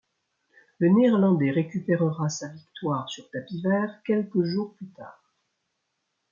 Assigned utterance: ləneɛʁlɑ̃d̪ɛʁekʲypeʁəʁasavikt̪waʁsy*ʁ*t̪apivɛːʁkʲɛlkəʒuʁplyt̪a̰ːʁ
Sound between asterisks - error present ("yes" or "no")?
no